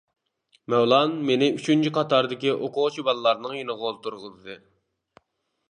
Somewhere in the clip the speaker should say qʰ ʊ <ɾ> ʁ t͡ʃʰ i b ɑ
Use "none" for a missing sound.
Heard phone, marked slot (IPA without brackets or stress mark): none